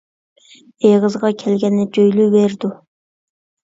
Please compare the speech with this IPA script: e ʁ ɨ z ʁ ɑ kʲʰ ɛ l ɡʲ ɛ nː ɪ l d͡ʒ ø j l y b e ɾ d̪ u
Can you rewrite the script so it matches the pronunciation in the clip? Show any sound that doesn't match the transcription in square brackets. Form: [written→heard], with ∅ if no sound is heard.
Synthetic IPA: e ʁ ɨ z ʁ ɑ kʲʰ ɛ l ɡʲ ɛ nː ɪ [l→∅] d͡ʒ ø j l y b e ɾ d̪ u

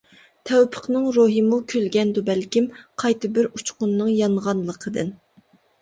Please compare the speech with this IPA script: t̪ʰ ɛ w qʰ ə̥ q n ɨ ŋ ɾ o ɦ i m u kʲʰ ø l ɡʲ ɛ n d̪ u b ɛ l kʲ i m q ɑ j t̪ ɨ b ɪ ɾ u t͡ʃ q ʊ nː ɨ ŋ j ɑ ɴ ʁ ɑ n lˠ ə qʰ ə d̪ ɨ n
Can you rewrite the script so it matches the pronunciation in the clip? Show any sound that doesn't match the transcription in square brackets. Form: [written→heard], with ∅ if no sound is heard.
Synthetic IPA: t̪ʰ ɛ w [qʰ→pʰ] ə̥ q n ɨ ŋ ɾ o ɦ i m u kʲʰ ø l ɡʲ ɛ n d̪ u b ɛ l kʲ i m [q→qʰ] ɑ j t̪ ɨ b ɪ ɾ u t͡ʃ q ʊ nː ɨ ŋ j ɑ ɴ ʁ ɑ n lˠ ə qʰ ə d̪ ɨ n

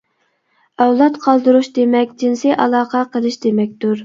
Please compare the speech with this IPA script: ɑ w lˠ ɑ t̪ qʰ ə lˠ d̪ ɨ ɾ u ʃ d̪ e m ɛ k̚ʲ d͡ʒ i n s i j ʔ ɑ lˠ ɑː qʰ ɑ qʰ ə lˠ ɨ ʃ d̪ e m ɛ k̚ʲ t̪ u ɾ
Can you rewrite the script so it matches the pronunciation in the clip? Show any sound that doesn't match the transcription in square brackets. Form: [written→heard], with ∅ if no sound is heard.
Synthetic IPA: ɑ w lˠ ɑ t̪ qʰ [ə→ɑ] lˠ d̪ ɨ ɾ u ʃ d̪ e m ɛ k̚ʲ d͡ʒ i n s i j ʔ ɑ lˠ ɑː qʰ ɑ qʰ ə lˠ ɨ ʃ d̪ e m ɛ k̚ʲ t̪ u ɾ

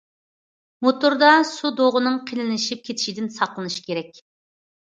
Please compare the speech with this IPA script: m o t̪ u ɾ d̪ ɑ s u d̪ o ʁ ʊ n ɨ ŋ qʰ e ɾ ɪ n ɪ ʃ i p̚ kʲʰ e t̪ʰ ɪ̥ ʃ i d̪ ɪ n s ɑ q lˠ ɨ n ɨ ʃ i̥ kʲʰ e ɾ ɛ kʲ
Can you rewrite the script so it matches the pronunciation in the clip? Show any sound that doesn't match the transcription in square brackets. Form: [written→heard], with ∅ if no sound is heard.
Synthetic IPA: m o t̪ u ɾ d̪ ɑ s u d̪ o ʁ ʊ n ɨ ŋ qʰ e [ɾ→l] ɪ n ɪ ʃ i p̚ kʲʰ e t̪ʰ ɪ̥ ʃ i d̪ ɪ n s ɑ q lˠ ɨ n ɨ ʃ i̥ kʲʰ e ɾ ɛ kʲ

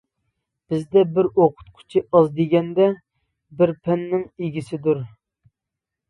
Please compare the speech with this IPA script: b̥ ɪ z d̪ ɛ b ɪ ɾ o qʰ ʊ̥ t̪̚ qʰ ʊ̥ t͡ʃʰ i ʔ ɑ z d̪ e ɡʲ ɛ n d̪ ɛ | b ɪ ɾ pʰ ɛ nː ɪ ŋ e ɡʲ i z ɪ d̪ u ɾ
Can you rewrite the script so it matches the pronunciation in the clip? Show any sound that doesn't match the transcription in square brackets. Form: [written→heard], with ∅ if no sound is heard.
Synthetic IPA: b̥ ɪ z d̪ ɛ b ɪ ɾ o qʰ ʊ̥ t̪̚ qʰ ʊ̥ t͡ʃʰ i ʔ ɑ z d̪ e ɡʲ ɛ n d̪ ɛ | b ɪ ɾ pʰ ɛ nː ɪ ŋ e ɡʲ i [z→s] ɪ d̪ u ɾ

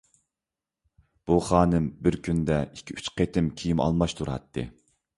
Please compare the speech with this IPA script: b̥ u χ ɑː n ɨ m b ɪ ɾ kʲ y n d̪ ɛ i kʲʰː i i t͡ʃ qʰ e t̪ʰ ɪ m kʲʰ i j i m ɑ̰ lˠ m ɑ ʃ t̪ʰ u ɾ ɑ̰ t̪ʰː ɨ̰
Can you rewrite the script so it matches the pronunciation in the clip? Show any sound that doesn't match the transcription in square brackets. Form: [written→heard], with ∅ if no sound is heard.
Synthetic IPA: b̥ u χ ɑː n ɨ m b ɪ ɾ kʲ y n d̪ ɛ i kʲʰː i [i→y] t͡ʃ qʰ e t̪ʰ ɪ m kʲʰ i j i m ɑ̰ lˠ m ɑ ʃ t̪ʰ u ɾ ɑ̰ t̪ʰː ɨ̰

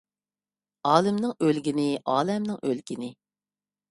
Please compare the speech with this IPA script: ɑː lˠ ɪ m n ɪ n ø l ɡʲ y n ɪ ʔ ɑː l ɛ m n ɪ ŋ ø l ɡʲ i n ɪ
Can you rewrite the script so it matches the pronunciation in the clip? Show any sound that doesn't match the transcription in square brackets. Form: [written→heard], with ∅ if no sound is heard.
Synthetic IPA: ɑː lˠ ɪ m n ɪ [n→ŋ] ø l ɡʲ [y→i] n ɪ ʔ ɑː l ɛ m n ɪ ŋ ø l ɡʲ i n ɪ

